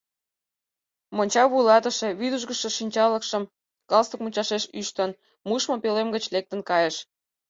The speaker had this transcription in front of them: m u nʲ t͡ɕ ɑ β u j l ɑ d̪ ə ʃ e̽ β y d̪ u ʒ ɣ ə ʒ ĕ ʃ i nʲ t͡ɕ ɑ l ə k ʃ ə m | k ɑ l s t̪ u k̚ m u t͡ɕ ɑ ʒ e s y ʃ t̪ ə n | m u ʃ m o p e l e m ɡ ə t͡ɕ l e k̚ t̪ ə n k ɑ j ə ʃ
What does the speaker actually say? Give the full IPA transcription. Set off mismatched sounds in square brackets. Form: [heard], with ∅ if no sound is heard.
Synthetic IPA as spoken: m [o] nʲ t͡ɕ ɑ β u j l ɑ [t̪] ə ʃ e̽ β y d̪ u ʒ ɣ ə [ʃ] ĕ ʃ i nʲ t͡ɕ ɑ l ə k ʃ ə m | k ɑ l s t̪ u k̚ m u t͡ɕ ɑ [ʃ] e [ʃ] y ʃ t̪ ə n | m u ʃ m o p e l e m ɡ ə t͡ɕ l e k̚ t̪ ə n k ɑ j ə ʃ